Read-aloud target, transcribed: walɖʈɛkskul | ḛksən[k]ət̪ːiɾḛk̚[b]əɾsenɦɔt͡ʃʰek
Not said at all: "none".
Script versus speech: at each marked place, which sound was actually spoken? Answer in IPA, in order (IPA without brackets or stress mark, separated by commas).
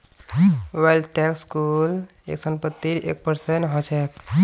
p, p